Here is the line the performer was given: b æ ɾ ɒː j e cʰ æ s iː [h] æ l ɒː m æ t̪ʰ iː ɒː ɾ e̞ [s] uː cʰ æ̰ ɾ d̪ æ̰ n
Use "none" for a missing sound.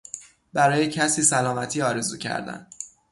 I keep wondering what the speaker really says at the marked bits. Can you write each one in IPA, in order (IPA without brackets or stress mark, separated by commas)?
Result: s, z